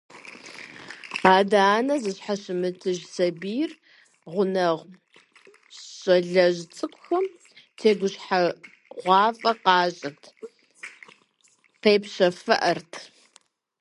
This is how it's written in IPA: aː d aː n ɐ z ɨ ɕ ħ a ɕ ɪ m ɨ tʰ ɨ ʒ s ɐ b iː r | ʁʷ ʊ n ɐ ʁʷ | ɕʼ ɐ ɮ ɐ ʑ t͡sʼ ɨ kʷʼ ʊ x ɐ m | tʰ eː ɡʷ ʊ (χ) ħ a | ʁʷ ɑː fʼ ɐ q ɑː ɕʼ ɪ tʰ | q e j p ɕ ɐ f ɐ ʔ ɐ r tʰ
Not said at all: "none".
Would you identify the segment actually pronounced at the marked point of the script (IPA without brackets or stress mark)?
ɕ